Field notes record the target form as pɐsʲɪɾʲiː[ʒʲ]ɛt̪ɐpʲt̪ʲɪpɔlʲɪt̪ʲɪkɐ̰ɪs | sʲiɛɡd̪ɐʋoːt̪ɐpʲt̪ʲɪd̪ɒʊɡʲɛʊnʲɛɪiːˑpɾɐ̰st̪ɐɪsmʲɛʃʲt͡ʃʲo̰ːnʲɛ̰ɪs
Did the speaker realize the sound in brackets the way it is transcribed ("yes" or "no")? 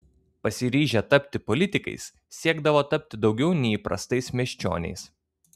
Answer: yes